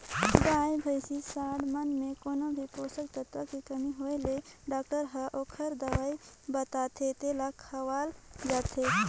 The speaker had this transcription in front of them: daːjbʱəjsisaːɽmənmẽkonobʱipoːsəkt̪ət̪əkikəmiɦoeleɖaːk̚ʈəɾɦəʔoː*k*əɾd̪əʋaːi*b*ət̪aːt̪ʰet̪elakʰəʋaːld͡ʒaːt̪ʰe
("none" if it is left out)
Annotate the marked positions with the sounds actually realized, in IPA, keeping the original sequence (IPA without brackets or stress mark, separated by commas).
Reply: kʰ, b